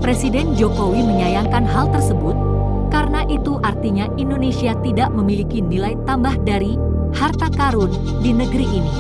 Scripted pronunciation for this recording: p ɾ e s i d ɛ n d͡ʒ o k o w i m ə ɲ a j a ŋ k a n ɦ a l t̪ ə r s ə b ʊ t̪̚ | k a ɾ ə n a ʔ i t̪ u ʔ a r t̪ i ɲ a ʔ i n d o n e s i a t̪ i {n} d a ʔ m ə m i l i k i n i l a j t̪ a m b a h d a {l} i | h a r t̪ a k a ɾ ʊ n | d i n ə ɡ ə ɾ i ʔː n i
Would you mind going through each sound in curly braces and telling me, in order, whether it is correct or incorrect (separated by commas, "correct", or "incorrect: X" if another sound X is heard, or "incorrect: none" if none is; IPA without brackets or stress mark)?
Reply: incorrect: none, incorrect: ɾ